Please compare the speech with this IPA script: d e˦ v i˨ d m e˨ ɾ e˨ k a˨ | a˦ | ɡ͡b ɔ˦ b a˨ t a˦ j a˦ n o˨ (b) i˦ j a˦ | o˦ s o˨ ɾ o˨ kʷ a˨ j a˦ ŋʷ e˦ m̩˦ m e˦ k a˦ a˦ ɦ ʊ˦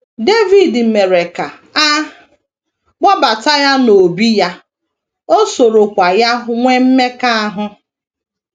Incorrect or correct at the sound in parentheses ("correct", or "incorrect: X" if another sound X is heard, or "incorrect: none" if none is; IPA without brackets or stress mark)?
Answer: correct